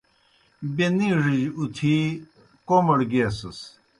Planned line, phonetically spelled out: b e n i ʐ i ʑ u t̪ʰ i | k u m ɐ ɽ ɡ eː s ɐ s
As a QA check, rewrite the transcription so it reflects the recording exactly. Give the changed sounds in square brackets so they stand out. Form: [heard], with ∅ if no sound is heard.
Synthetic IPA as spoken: b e n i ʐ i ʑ u t̪ʰ i | k [o] m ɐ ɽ ɡ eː s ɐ s